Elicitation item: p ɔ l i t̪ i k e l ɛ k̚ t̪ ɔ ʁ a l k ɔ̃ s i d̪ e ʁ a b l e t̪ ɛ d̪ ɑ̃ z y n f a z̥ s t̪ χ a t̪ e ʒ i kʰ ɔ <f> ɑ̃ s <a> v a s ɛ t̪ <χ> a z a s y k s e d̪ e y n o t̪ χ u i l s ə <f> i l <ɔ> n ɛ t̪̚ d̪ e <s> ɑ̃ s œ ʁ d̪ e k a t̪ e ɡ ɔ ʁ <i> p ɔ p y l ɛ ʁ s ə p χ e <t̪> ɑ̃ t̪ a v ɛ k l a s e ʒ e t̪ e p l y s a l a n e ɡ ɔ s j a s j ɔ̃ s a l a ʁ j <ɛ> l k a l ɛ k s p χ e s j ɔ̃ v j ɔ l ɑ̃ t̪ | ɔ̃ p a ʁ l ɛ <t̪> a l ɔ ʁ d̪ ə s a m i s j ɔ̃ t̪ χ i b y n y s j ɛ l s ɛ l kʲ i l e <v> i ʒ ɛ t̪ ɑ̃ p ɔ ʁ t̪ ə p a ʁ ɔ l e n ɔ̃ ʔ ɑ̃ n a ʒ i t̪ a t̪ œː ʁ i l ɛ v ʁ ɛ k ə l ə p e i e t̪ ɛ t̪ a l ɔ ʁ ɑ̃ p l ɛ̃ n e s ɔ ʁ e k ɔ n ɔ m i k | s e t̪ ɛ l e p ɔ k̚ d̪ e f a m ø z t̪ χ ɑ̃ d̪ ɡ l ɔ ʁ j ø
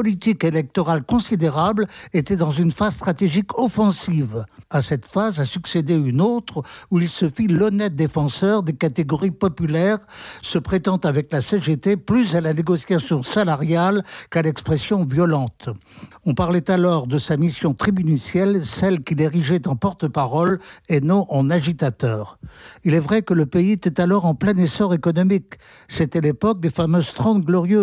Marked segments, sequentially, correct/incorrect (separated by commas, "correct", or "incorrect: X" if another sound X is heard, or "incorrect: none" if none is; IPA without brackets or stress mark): correct, incorrect: i, incorrect: f, correct, correct, incorrect: f, correct, correct, incorrect: a, correct, incorrect: ʁ